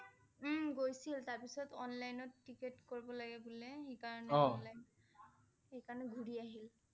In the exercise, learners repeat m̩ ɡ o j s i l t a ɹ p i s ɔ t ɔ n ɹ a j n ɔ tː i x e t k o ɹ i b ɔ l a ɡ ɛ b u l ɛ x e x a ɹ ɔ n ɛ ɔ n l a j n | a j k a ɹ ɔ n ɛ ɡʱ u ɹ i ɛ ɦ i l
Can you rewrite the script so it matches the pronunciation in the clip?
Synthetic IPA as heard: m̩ ɡ o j s i l t a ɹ p i s ɔ t ɔ n l a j n ɔ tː i k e t k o ɹ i b ɔ l a ɡ ɛ b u l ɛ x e k a ɹ ɔ n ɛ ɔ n l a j n | e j k a ɹ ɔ n ɛ ɡʱ u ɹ i a ɦ i l